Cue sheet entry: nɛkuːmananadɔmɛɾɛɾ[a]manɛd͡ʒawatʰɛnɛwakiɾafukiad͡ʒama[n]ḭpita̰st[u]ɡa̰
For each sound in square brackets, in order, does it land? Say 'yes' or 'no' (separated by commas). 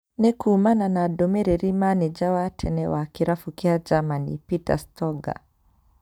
no, yes, no